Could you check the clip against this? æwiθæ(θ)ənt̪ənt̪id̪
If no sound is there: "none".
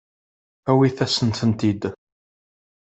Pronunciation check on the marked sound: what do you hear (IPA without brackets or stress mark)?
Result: s